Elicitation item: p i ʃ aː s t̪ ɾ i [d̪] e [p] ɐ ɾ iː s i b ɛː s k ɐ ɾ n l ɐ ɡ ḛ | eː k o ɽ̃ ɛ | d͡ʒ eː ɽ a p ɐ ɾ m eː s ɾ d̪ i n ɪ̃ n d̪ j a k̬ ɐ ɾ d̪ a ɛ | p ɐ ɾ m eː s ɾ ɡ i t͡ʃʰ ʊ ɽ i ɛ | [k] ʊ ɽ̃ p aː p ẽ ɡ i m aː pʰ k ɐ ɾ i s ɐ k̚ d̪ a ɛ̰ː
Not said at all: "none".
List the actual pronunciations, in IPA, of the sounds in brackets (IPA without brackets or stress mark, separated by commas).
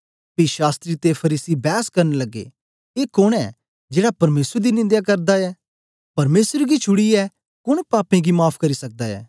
t̪, pʰ, k